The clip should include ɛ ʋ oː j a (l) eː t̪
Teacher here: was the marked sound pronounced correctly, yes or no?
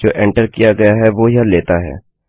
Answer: yes